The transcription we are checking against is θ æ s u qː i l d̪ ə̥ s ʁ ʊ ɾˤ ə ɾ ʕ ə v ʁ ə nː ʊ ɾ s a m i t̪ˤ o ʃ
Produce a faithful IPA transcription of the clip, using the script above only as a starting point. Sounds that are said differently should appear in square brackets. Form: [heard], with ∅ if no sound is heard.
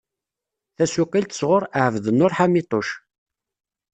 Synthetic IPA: θ æ s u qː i l [t̪] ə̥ s ʁ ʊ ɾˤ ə [∅] ʕ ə v [ð] ə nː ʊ ɾ [ħ] a m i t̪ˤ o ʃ